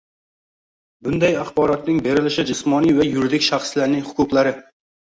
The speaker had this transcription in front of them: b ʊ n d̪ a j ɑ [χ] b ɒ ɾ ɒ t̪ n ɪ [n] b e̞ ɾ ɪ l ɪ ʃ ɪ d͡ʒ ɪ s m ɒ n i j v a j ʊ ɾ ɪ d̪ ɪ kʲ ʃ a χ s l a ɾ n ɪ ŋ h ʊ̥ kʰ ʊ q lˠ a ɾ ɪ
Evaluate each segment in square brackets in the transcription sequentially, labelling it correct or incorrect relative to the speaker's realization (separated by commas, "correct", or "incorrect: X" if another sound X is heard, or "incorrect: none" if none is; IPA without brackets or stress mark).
correct, incorrect: ŋ